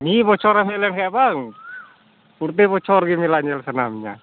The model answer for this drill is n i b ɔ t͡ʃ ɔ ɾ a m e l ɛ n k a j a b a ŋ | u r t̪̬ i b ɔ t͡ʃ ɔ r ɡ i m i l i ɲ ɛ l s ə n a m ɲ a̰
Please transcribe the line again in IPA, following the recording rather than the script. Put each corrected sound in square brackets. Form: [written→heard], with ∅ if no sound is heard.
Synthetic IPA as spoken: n i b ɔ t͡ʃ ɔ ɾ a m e l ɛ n k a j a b a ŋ | u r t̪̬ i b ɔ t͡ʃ ɔ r ɡ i m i l [i→a] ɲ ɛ l s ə n a m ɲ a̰